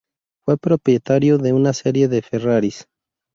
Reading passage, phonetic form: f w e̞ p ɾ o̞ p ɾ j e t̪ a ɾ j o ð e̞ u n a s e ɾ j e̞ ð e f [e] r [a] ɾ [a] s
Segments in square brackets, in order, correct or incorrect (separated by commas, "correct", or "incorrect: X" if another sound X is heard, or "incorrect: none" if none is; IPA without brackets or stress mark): correct, correct, incorrect: i